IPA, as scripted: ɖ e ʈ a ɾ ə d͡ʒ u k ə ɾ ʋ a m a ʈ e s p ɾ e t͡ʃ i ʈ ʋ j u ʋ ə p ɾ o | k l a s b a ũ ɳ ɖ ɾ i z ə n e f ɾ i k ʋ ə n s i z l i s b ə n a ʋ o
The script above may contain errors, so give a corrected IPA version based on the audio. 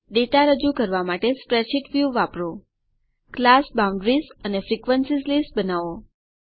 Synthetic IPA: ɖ e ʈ a ɾ ə d͡ʒ u k ə ɾ ʋ a m a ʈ e s p ɾ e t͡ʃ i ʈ ʋ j u ʋ a p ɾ o | k l a s b a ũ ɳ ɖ ɾ i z ə n e f ɾ i k ʋ ə n s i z l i s b ə n a ʋ o